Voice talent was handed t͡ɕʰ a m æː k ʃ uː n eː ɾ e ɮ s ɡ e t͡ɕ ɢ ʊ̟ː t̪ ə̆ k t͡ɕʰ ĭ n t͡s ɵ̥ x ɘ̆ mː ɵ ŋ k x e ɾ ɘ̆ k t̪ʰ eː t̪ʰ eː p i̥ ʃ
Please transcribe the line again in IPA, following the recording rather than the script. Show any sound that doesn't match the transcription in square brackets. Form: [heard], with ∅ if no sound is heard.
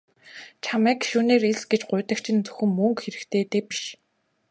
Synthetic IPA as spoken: t͡ɕʰ a m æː k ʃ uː n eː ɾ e ɮ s ɡ e t͡ɕ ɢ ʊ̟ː t̪ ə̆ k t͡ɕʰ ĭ n t͡s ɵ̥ x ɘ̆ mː ɵ ŋ k x e ɾ ɘ̆ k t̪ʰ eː [t̪] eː p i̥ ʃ

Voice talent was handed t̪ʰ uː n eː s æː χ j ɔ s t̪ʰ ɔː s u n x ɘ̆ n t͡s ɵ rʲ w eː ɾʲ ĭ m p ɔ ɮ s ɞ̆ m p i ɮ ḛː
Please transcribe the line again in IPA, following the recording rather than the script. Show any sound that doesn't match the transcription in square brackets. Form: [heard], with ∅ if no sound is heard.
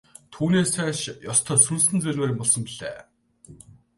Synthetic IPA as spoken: t̪ʰ uː n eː s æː [ʃ] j ɔ s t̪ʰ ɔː s u n [s] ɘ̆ n t͡s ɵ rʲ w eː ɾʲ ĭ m p ɔ ɮ s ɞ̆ m p i ɮ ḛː

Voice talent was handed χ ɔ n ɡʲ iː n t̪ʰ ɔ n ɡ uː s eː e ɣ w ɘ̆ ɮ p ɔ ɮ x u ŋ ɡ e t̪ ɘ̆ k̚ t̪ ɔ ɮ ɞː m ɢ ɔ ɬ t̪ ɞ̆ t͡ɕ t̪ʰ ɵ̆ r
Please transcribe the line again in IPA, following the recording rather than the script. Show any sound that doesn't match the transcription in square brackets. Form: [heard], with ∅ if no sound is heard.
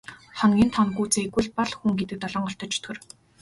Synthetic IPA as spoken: χ ɔ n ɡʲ iː n t̪ʰ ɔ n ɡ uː [t͡s] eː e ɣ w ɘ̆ ɮ p ɔ ɮ x u ŋ ɡ e t̪ ɘ̆ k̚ t̪ ɔ ɮ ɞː [ɴ] ɢ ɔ ɬ t̪ ɞ̆ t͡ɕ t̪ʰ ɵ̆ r

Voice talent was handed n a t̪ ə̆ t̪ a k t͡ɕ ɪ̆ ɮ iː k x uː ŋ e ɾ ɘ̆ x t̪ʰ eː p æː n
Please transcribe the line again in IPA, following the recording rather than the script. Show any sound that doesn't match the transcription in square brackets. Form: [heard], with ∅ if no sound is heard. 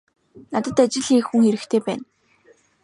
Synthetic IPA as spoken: n a t̪ ə̆ t̪ a [∅] t͡ɕ ɪ̆ ɮ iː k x [u] ŋ e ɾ ɘ̆ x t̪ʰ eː p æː n

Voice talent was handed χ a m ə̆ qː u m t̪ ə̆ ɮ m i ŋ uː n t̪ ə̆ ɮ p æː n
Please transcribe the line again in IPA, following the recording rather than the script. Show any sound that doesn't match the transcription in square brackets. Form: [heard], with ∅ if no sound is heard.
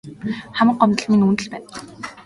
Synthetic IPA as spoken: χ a m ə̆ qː [ɔ] m t̪ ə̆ ɮ m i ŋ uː n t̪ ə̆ ɮ p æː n

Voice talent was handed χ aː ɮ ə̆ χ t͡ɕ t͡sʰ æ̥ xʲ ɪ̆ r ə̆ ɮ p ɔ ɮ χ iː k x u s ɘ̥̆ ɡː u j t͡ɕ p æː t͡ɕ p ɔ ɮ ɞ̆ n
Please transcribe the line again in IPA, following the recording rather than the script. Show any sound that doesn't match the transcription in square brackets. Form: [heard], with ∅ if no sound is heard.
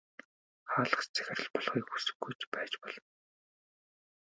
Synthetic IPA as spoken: χ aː ɮ ə̆ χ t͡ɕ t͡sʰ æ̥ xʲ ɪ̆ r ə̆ ɮ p ɔ ɮ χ iː k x u s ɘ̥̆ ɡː u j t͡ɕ p æː t͡ɕ p ɔ ɮ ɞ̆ n

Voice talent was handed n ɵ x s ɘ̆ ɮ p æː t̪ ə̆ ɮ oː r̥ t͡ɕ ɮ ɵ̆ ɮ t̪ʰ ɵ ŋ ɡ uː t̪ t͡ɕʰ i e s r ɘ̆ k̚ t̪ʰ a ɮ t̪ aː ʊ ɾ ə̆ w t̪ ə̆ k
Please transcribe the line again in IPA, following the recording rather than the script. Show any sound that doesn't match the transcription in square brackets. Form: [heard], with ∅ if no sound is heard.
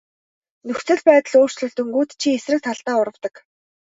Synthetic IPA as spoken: n ɵ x [t͡s] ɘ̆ ɮ p æː t̪ ə̆ ɮ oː r̥ t͡ɕ ɮ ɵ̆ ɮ [t̪] ɵ ŋ ɡ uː t̪ t͡ɕʰ i e s r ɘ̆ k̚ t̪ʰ a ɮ t̪ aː ʊ ɾ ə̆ w t̪ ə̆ k

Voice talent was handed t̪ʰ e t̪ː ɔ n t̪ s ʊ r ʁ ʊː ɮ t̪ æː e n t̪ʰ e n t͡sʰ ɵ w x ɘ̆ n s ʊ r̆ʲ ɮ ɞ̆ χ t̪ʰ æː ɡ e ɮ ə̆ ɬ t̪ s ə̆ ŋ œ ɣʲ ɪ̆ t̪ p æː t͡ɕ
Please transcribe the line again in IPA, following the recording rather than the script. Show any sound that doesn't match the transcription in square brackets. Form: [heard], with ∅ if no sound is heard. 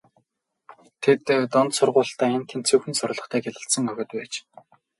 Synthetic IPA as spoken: t̪ʰ e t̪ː ɔ n t̪ s ʊ r ʁ ʊː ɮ t̪ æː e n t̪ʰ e n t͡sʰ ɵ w x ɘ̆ n s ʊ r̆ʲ ɮ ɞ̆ χ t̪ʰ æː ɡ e ɮ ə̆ ɬ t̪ s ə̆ ŋ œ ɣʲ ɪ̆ t̪ p æː t͡ɕ

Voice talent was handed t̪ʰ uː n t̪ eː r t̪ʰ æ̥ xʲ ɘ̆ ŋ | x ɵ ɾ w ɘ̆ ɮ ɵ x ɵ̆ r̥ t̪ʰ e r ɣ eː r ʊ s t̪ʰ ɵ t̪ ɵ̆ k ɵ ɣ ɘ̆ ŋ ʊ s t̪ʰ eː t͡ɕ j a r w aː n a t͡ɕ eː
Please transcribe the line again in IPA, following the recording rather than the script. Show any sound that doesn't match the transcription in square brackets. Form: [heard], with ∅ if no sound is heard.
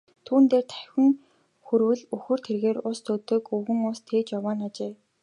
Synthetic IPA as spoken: t̪ʰ uː n t̪ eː r t̪ʰ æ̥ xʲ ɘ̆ ŋ | x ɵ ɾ w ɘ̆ ɮ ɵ x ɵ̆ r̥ t̪ʰ e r ɣ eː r ʊ s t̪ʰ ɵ t̪ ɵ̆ k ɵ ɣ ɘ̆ ŋ ʊ s t̪ʰ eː t͡ɕ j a [∅] w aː n a t͡ɕ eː

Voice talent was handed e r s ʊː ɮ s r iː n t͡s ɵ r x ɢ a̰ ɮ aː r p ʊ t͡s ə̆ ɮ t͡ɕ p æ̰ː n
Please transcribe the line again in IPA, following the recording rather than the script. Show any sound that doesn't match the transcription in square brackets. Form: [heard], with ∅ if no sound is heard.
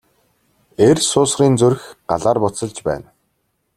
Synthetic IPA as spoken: e r s ʊː [∅] s r iː n t͡s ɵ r x ɢ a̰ ɮ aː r p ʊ t͡s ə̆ ɮ t͡ɕ p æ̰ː n

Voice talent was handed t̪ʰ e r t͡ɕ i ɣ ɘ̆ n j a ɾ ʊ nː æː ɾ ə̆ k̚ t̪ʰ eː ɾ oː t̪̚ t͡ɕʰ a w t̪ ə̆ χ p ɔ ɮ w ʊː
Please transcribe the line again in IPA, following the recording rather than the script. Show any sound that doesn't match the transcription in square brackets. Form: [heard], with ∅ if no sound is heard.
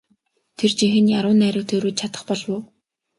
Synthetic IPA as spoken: t̪ʰ e r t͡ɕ i [x] ɘ̆ n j a ɾ [ʊː] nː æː ɾ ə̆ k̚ t̪ʰ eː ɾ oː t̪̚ t͡ɕʰ a [∅] t̪ ə̆ χ p ɔ ɮ w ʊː

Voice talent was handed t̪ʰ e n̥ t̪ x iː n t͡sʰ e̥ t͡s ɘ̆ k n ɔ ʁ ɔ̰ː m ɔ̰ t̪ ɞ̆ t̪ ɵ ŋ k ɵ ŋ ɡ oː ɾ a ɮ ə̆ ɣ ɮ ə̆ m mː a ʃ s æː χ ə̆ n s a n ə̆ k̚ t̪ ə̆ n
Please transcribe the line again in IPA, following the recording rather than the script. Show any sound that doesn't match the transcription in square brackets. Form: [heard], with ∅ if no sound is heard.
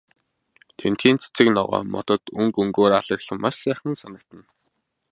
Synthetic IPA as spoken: t̪ʰ e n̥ t̪ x iː n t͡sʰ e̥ t͡s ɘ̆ k n ɔ ʁ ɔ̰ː m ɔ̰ t̪ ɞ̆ t̪ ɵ ŋ k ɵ ŋ ɡ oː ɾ a ɮ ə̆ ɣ ɮ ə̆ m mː a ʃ s æː χ ə̆ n s a n ə̆ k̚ t̪ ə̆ n

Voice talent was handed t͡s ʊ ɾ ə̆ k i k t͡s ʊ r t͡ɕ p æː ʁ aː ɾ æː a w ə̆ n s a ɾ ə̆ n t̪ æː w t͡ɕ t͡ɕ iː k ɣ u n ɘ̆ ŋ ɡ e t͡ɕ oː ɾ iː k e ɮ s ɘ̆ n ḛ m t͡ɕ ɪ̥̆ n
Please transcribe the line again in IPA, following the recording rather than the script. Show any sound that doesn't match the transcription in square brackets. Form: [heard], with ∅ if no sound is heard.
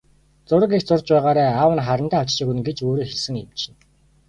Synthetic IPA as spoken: t͡s ʊ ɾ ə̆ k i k t͡s ʊ r t͡ɕ p æː ʁ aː ɾ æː a w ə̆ n [χ] a ɾ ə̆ n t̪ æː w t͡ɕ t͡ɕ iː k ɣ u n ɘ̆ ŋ ɡ e t͡ɕ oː ɾ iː [x] e ɮ s ɘ̆ [ŋ] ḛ m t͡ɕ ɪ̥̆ n

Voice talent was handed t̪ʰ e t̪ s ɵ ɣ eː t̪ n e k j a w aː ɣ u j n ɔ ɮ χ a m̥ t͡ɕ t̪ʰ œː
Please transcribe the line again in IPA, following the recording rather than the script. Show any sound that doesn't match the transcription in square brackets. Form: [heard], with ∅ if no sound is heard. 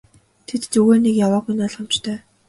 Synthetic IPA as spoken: t̪ʰ e t̪ [t͡s] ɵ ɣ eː [∅] n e k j a w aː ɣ u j n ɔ ɮ χ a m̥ t͡ɕ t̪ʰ œː

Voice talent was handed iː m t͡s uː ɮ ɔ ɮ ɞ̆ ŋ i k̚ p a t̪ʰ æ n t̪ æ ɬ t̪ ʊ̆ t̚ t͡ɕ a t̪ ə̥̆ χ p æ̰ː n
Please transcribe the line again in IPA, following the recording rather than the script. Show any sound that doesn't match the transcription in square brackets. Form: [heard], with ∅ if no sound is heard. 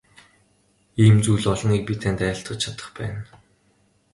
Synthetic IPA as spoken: iː m t͡s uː ɮ ɔ ɮ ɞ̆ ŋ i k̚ p [i] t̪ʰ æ n t̪ [æː] ɬ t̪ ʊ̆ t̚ [t͡ɕʰ] a t̪ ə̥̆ χ p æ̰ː n

